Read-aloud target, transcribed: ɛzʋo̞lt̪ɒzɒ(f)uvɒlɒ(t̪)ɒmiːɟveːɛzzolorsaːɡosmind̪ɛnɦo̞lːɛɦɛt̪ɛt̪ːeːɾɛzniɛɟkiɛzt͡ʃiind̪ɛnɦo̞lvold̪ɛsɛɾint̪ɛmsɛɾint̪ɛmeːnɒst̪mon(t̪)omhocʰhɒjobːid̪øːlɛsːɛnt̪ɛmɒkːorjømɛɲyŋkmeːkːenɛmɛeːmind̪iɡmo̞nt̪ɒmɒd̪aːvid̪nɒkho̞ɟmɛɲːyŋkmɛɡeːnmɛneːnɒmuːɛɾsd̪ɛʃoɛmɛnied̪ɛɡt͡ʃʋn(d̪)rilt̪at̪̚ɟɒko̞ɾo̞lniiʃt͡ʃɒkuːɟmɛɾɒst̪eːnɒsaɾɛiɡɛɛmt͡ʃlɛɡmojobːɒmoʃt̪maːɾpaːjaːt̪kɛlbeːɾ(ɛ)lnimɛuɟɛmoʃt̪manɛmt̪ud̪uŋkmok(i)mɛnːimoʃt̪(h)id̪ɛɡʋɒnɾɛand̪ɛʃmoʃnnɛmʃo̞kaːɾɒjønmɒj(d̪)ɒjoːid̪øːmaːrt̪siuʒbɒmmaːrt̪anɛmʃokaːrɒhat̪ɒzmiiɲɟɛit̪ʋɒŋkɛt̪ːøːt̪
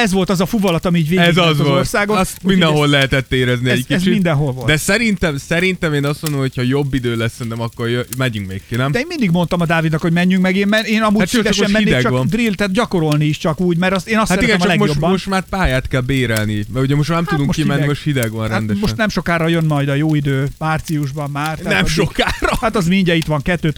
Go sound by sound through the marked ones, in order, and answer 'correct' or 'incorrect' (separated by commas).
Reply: correct, correct, incorrect, correct, correct, correct, correct, correct